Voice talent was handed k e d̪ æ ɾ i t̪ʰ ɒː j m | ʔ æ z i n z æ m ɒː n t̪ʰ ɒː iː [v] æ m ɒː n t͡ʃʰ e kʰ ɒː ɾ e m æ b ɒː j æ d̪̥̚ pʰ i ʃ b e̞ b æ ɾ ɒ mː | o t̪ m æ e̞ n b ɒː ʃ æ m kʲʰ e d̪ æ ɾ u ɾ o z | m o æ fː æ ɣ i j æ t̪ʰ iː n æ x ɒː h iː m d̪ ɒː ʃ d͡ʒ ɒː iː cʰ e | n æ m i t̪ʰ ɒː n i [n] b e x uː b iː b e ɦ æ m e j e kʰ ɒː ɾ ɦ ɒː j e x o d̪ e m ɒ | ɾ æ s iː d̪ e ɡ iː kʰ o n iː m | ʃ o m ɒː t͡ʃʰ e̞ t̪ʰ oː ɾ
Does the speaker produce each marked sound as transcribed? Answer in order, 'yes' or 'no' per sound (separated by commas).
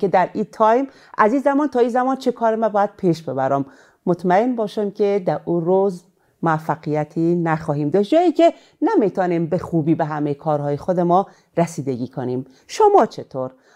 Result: no, no